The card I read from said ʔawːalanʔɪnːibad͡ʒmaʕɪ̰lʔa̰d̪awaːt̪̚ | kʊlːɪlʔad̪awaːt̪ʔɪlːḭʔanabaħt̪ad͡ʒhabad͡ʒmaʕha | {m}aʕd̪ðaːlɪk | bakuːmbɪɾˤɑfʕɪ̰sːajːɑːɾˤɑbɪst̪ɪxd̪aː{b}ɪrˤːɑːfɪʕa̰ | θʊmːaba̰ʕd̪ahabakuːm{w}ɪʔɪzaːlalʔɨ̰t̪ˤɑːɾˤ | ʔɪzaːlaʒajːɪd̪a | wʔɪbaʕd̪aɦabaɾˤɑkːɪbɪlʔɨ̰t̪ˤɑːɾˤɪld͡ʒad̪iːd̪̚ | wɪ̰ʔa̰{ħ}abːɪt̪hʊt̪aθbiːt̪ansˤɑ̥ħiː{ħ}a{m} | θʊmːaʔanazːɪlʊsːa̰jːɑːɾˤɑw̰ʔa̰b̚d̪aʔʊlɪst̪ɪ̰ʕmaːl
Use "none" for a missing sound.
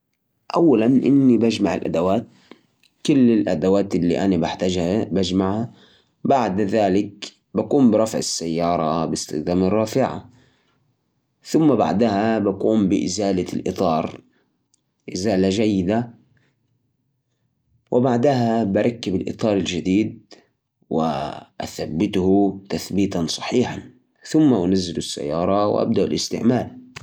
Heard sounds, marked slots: b, m, b, θ, ħ, n

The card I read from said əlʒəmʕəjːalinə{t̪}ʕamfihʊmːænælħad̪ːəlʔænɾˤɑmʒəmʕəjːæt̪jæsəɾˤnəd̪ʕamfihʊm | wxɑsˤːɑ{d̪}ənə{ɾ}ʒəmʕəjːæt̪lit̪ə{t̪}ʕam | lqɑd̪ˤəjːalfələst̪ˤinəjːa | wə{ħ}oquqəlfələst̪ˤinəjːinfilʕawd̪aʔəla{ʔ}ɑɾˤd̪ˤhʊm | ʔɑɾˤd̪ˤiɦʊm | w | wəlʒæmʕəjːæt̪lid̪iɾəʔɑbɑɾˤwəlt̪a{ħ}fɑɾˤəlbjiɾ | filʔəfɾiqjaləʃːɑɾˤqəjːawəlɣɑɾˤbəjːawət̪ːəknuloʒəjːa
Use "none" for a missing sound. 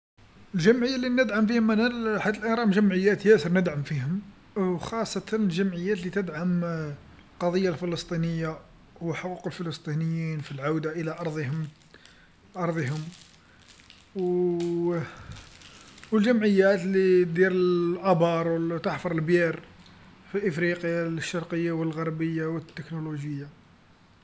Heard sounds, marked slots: d̪, t̪, l, d̪, ħ, ʔ, ħ

